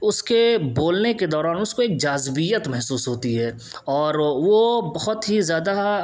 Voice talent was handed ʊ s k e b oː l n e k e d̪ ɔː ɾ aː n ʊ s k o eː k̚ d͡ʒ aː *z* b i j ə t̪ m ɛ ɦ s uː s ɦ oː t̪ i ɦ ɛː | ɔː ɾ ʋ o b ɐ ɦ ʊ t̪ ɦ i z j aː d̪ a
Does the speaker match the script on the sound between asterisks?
yes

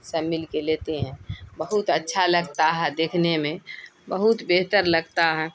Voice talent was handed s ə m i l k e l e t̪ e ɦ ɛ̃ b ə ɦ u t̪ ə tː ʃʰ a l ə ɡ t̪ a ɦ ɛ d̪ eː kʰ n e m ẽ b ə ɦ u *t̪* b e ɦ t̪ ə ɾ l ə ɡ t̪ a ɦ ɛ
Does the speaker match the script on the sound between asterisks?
yes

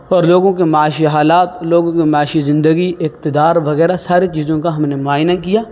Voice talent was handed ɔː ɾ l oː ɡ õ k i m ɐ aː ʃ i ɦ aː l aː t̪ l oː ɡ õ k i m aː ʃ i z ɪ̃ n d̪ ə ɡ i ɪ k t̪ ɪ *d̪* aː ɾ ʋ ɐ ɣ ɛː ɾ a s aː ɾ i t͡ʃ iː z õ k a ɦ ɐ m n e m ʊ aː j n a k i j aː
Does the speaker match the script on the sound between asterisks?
yes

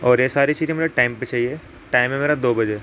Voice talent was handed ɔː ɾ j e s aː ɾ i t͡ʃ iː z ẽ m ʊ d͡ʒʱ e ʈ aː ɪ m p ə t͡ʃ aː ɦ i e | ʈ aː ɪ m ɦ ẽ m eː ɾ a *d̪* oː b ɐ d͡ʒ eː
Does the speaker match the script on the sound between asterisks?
yes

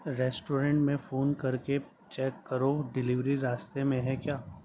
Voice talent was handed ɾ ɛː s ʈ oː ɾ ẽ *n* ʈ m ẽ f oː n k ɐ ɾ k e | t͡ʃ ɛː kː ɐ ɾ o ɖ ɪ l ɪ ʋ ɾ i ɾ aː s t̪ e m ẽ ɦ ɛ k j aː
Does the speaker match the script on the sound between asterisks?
no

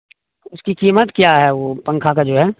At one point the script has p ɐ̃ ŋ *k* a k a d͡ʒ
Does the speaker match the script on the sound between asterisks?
no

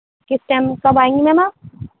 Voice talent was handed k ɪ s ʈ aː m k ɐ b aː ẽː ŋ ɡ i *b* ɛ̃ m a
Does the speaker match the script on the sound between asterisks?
no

